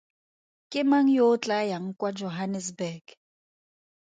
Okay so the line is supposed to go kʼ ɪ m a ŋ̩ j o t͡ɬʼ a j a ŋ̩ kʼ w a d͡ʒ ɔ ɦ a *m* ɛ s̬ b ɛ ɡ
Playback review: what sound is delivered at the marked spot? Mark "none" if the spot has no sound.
n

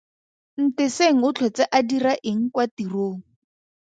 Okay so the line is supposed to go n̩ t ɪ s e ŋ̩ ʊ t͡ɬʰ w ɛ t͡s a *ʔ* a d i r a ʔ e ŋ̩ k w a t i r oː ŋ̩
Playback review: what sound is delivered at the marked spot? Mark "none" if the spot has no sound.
ʔ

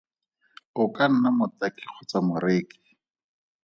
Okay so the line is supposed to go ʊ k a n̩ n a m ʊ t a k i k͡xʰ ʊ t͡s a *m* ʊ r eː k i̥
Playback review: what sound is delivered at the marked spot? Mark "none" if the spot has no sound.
m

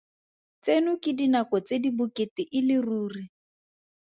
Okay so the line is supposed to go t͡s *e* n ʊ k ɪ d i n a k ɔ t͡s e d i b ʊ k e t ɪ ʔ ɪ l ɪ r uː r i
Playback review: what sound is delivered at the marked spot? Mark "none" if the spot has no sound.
e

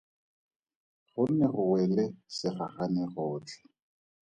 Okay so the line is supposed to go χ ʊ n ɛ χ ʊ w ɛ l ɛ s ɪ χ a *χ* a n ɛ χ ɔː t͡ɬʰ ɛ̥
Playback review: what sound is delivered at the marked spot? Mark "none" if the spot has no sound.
χ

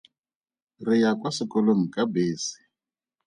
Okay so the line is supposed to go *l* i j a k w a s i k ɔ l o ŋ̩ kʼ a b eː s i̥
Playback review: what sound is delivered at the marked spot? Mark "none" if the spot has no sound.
r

